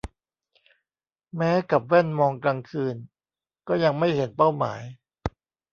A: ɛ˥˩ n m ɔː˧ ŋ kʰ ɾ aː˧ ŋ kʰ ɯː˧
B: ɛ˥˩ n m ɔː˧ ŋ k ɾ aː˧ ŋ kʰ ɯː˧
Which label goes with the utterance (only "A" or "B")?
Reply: B